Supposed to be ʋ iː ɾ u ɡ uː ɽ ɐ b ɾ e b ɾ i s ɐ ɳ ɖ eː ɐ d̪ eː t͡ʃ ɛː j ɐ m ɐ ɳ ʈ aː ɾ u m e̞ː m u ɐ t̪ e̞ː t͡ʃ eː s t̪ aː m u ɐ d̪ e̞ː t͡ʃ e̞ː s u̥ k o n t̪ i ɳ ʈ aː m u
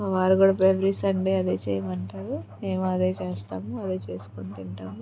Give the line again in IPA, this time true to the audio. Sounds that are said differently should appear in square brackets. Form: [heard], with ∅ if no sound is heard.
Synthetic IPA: ʋ [aː] ɾ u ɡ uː ɽ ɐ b ɾ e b ɾ i s ɐ ɳ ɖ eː ɐ d̪ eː t͡ʃ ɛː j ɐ m ɐ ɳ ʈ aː ɾ u m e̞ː m u ɐ [d̪] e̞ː t͡ʃ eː s t̪ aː m u ɐ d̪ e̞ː t͡ʃ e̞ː s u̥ k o n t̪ i ɳ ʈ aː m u